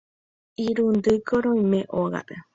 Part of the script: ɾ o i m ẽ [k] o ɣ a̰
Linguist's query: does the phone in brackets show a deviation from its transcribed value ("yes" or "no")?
yes